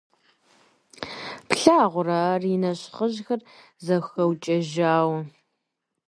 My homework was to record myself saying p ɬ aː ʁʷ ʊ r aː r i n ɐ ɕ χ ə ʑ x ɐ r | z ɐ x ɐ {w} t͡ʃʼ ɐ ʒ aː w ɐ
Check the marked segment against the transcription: correct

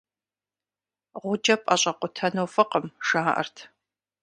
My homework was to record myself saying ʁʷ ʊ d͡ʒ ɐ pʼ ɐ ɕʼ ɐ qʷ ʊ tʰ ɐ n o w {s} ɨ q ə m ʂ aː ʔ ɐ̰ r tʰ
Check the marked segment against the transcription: incorrect: f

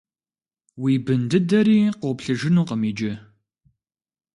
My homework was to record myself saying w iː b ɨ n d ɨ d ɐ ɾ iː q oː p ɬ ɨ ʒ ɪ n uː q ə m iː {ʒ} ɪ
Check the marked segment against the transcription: incorrect: d͡ʒ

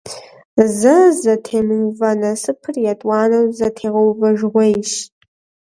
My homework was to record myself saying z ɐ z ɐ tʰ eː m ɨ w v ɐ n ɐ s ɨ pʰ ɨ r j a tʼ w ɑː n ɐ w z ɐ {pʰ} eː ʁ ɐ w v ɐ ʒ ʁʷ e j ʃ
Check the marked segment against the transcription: incorrect: tʰ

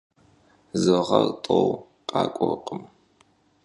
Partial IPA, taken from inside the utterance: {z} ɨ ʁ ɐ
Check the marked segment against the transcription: correct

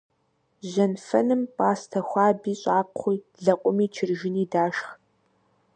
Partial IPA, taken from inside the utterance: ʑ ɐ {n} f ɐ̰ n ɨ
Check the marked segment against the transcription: correct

